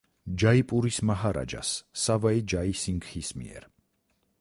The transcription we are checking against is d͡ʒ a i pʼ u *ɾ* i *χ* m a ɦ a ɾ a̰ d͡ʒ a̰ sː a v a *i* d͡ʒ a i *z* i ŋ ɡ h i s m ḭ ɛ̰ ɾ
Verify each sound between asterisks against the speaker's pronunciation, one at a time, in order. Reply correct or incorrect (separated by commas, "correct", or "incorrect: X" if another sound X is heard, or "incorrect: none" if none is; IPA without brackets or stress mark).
correct, incorrect: s, correct, incorrect: s